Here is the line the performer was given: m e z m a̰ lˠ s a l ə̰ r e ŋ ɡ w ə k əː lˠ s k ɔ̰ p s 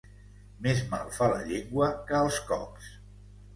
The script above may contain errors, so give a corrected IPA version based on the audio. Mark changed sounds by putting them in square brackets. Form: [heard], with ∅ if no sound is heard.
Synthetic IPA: m e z m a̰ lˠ [f] a l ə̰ [ʎ] e ŋ ɡ w ə k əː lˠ s k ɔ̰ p s